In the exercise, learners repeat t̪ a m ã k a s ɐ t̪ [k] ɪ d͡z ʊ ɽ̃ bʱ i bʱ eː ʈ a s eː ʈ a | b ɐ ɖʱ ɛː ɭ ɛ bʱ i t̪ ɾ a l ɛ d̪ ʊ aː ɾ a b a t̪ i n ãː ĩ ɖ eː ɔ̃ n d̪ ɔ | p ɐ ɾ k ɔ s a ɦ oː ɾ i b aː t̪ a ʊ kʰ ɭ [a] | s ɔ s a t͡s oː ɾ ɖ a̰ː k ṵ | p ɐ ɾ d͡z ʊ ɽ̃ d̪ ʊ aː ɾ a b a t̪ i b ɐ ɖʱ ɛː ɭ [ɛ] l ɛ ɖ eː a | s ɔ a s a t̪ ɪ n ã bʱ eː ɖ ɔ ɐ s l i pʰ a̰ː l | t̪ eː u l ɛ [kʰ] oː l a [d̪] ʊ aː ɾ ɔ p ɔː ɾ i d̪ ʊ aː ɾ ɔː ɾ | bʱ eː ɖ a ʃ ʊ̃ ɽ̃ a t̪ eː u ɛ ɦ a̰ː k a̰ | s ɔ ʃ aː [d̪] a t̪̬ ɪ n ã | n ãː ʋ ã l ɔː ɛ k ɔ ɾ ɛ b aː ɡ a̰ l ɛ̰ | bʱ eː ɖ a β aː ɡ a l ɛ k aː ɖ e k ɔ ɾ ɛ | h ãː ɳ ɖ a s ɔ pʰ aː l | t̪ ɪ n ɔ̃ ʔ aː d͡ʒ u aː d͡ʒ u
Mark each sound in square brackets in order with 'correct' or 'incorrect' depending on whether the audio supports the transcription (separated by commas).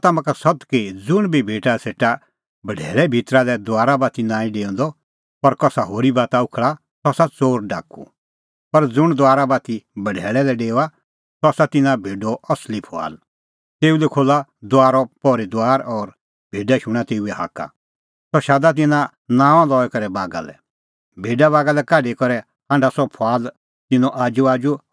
correct, correct, correct, correct, correct, correct